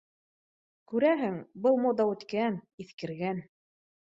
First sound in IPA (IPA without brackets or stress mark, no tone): k